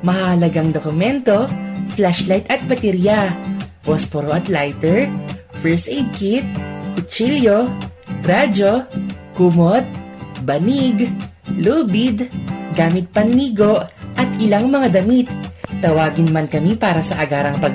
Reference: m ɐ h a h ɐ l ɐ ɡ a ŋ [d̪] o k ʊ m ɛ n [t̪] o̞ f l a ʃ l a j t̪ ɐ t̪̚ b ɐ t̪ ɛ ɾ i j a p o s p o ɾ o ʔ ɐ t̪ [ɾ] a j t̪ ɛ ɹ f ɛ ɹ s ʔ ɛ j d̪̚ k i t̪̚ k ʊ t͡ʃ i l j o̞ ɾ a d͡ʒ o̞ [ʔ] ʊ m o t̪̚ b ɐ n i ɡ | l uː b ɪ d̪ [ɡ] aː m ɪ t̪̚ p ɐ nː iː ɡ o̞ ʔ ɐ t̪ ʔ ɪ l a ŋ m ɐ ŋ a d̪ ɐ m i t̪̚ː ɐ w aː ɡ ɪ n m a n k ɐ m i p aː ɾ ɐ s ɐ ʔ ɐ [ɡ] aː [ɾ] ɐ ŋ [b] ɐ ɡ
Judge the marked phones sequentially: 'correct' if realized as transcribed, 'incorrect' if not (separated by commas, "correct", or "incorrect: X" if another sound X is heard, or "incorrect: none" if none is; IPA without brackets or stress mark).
correct, correct, incorrect: l, incorrect: k, correct, correct, correct, incorrect: p